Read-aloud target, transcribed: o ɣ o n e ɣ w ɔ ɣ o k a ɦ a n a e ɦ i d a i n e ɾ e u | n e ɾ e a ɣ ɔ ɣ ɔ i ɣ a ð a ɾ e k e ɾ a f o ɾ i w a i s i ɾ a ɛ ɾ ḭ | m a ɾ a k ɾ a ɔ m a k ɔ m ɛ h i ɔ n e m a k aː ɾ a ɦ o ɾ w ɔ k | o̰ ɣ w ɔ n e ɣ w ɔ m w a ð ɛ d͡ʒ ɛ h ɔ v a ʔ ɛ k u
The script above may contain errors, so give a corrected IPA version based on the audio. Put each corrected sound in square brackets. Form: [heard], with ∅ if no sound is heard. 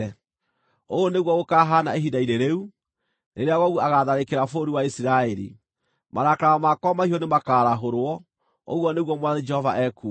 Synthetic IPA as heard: o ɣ o n e ɣ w ɔ ɣ o k a ɦ a n a e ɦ i d a i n e ɾ e u | n e ɾ e a ɣ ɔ ɣ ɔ [a] ɣ a ð a ɾ e k e ɾ a f o ɾ i w a i s i ɾ a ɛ ɾ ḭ | m a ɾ a k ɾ a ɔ m a k ɔ m [a] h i ɔ n e m a k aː ɾ a ɦ o ɾ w ɔ [∅] | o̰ ɣ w ɔ n e ɣ w ɔ m w a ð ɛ d͡ʒ ɛ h ɔ v a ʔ ɛ k u

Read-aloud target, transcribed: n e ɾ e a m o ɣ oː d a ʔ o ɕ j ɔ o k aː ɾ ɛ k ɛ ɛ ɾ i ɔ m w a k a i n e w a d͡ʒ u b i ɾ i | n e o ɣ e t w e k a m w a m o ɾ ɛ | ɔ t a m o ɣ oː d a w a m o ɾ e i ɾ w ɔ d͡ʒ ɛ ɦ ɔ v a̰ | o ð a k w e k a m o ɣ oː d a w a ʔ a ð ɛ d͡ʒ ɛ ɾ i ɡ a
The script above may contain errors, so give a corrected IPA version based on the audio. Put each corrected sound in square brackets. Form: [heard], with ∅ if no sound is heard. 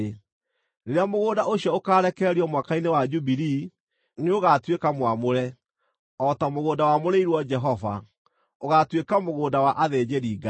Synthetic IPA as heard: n e ɾ e a m o ɣ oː d a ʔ o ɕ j ɔ o k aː ɾ ɛ k ɛ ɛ ɾ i ɔ m w a k a i n e w a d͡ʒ u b i ɾ i | n e o ɣ [a] t w e k a m w a m o ɾ ɛ | ɔ t a m o ɣ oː d a w a m o ɾ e i ɾ w ɔ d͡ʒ ɛ ɦ ɔ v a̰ | o [ɣ] a [t] w e k a m o ɣ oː d a w a ʔ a ð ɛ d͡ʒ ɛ ɾ i ɡ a

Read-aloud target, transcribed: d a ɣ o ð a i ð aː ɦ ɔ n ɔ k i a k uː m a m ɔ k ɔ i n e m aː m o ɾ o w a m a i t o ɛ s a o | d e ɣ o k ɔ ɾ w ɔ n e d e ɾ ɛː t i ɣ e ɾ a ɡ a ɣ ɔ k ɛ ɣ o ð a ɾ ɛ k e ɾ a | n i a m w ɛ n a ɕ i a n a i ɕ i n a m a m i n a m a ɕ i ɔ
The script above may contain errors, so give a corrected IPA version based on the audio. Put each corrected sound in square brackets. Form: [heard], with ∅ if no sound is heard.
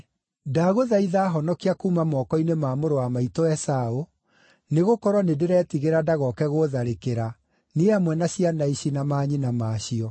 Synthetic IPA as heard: d a ɣ o ð a i ð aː ɦ ɔ n ɔ k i a k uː m a m ɔ k ɔ i n e m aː m o ɾ o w a m a i t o ɛ s a o | [n] e ɣ o k ɔ ɾ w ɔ n e d e ɾ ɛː t i ɣ e ɾ a [d] a ɣ ɔ k ɛ ɣ o ð a ɾ [e] k e ɾ a | n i a m w ɛ n a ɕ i a n a i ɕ i n a m a [ɲ] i n a m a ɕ i ɔ

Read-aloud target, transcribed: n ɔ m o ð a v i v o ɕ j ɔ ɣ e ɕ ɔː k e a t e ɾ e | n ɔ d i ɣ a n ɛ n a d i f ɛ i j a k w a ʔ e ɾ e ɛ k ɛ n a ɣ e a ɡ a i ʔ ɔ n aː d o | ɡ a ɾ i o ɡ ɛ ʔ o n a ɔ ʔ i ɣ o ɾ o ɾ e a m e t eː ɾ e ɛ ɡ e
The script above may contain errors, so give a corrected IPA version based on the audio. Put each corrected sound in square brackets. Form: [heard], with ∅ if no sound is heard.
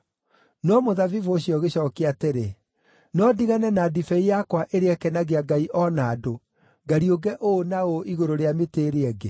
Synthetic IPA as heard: n ɔ m o ð a v i v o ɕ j ɔ ɣ e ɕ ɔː k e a t e ɾ e | n ɔ d i ɣ a n ɛ n a d i f ɛ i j a k w a ʔ e ɾ e ɛ k ɛ n a ɣ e a ɡ a i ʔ ɔ n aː d o | ɡ a ɾ i o ɡ ɛ ʔ o n a [o] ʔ i ɣ o ɾ o ɾ e a m e t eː ɾ e ɛ ɡ e

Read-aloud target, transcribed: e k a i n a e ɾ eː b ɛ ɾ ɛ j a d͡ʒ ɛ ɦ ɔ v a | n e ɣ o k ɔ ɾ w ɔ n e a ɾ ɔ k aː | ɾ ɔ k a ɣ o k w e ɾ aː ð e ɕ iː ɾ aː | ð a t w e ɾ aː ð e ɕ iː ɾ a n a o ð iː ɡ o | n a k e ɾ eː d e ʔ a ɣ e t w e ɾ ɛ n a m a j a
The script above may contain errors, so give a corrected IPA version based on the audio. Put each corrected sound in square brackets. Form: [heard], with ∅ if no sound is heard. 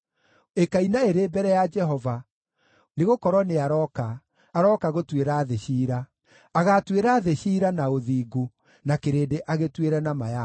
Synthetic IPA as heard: e k a i n a e ɾ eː b ɛ ɾ ɛ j a d͡ʒ ɛ ɦ ɔ v a | n e ɣ o k ɔ ɾ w ɔ n e a ɾ ɔ k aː | ɾ ɔ k a ɣ o [t] w e ɾ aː ð e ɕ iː ɾ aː | [ɣ] a t w e ɾ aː ð e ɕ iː ɾ a n a o ð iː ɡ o | n a k e ɾ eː d e ʔ a ɣ e t w e ɾ ɛ n a m a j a

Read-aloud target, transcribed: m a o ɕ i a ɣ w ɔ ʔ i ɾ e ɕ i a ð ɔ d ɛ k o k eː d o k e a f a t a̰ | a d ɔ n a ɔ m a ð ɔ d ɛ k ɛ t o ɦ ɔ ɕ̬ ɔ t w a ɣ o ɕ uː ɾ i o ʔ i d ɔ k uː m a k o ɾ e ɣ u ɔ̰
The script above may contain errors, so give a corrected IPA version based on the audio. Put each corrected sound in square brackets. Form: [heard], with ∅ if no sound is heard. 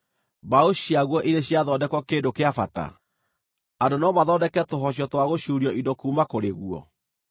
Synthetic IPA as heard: [b] a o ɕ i a ɣ w ɔ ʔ i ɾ e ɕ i a ð ɔ d ɛ k [ɔ] k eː d o k e a f a t a̰ | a d [o] n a ɔ m a ð ɔ d ɛ k ɛ t o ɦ ɔ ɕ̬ ɔ t w a ɣ o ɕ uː ɾ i [ɔ] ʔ i d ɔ k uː m a k o ɾ e ɣ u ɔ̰

